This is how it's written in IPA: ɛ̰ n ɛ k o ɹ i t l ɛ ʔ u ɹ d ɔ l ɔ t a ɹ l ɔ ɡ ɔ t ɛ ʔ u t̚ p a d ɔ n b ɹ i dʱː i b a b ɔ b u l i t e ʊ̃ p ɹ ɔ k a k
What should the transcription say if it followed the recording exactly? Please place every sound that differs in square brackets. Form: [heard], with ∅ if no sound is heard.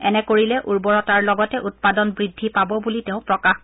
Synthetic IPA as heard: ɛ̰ n ɛ k o ɹ i [∅] l ɛ ʔ u ɹ [b] ɔ [ɹ] ɔ t a ɹ l ɔ ɡ ɔ t ɛ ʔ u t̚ p a d ɔ n b ɹ i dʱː i [p] a b ɔ b u l i t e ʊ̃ p ɹ ɔ k a [x]